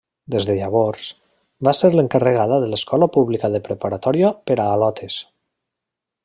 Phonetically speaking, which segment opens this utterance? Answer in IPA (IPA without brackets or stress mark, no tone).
d̪